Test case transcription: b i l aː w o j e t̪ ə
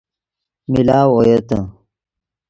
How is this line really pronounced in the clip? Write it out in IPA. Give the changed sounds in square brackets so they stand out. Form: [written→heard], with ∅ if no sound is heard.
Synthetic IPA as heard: [b→m] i l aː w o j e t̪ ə